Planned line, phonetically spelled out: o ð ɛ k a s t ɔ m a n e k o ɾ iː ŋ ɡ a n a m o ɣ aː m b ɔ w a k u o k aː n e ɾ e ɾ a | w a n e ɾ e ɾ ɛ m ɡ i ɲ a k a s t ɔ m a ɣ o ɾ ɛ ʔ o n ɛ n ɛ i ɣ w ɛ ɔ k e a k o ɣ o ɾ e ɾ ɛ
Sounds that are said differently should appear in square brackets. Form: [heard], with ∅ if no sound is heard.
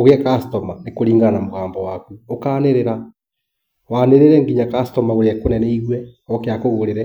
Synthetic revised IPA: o [ɣ] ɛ k a s t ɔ m a n e k o ɾ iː ŋ ɡ a n a m o ɣ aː m b ɔ w a k u o k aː n e ɾ e ɾ a | w a n e ɾ e ɾ ɛ [ŋ] ɡ i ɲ a k a s t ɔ m a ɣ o ɾ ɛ [k] o n ɛ n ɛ i ɣ w ɛ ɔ k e a k o ɣ o ɾ e ɾ ɛ